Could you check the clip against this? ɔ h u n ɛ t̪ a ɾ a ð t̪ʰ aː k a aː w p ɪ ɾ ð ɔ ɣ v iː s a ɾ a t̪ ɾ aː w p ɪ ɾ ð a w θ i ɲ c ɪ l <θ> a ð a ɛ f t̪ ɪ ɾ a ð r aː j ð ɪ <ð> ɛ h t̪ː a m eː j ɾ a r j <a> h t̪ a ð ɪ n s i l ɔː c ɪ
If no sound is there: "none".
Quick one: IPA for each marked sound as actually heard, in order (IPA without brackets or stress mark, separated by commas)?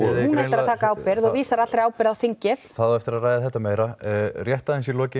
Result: θ, θ, ɛ